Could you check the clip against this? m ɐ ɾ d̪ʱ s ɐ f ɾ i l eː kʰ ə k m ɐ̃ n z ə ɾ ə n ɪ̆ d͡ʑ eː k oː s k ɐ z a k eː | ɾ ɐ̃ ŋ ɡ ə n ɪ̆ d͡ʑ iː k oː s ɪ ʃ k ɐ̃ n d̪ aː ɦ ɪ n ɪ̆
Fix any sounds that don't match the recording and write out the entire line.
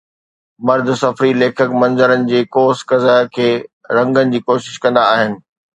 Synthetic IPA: m ɐ ɾ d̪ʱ s ɐ f ɾ i l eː kʰ ə k m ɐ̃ n z ə ɾ ə n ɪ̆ d͡ʑ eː k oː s k ɐ z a kʰ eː | ɾ ɐ̃ ŋ ɡ ə n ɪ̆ d͡ʑ iː k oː ʃ ɪ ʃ k ɐ̃ n d̪ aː ɦ ɪ n ɪ̆